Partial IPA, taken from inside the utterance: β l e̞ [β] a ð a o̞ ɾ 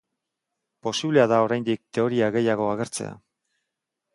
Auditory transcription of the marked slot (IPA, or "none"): none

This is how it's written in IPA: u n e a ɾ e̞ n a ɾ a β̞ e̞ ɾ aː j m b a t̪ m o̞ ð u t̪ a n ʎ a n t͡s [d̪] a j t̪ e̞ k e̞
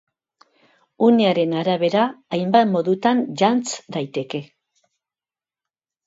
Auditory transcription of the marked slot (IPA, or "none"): d̪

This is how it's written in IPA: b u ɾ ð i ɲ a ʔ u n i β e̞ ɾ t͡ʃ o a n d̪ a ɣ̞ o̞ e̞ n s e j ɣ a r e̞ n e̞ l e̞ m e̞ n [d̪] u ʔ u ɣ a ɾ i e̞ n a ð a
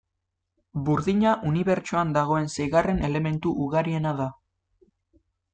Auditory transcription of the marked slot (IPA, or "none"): t̪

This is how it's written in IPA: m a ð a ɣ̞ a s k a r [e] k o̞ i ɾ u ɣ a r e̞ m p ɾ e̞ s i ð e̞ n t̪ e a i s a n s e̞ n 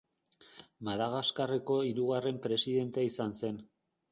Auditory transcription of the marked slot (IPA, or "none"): e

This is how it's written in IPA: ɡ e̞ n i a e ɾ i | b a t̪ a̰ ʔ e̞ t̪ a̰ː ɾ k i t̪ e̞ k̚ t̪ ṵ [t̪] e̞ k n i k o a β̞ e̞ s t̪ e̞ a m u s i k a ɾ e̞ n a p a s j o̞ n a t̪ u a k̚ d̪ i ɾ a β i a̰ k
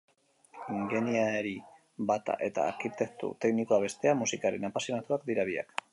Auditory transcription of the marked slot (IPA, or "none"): t̪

